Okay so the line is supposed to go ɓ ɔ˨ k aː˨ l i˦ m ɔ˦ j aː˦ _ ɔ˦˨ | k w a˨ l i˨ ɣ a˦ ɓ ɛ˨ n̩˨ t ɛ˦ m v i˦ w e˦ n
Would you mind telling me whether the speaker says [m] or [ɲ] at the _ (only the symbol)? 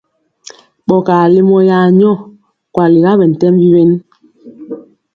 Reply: ɲ